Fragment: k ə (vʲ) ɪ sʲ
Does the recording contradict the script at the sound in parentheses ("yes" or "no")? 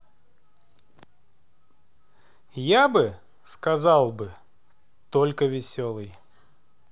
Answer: no